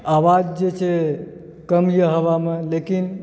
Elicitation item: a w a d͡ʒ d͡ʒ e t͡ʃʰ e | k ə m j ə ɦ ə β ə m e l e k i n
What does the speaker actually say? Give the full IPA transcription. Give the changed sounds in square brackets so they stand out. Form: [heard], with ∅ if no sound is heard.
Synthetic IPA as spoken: a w a d͡ʒ d͡ʒ e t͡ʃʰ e | k ə m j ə ɦ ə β [a] m e l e k i n